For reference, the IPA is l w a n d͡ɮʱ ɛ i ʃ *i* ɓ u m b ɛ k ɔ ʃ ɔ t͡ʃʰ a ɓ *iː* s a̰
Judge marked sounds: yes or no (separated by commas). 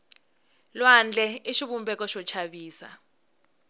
yes, yes